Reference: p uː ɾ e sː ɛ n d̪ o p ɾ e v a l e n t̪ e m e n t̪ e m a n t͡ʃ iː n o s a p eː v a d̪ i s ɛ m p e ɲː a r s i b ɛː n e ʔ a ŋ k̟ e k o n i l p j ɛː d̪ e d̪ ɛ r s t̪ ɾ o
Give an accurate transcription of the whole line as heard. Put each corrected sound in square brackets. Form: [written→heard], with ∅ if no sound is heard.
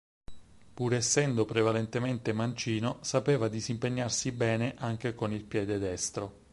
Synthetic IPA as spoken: p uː ɾ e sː ɛ n d̪ o p ɾ e v a l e n t̪ e m e n t̪ e m a n t͡ʃ iː n o s a p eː v a d̪ i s [ɛ→i] m p e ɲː a r s i b ɛː n e ʔ a ŋ k̟ e k o n i l p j ɛː d̪ e d̪ ɛ [r→∅] s t̪ ɾ o